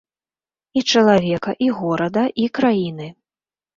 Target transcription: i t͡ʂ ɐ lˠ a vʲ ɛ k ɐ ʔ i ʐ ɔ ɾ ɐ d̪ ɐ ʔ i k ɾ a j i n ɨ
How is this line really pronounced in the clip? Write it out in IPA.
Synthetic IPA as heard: i t͡ʂ ɐ lˠ a vʲ ɛ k ɐ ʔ i ɣ ɔ ɾ ɐ d̪ ɐ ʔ i k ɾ a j i n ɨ